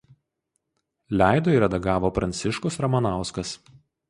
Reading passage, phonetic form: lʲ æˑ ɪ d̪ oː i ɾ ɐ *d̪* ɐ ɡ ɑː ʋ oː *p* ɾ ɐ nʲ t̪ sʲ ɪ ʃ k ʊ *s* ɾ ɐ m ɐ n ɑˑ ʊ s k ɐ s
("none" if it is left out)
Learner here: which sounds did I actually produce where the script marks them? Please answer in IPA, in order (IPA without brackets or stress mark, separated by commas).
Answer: d̪, p, s